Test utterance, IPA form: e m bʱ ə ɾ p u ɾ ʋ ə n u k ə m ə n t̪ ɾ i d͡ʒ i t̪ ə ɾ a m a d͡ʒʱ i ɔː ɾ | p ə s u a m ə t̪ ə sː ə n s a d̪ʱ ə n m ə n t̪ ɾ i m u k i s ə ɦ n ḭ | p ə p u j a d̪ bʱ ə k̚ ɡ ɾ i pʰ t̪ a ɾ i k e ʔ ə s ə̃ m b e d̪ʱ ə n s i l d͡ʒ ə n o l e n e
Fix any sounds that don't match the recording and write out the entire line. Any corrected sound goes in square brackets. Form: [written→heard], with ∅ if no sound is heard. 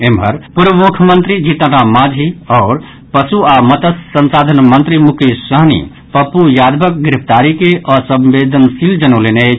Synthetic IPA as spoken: e m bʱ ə ɾ p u ɾ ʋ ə [n→m] u [k→kʰ] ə m ə n t̪ ɾ i d͡ʒ i t̪ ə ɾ a m a d͡ʒʱ i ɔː ɾ | p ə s u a m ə t̪ ə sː ə n s a d̪ʱ ə n m ə n t̪ ɾ i m u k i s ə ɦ n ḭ | p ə p u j a d̪ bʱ ə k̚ ɡ ɾ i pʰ t̪ a ɾ i k e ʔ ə s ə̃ m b e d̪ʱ ə n s i l d͡ʒ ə n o l e n e